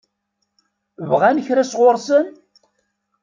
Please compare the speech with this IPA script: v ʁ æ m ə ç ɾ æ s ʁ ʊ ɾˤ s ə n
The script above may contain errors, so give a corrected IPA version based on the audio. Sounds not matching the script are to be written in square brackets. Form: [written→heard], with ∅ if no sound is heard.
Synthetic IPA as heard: v ʁ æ [m→n] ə ç ɾ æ s ʁ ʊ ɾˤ s ə n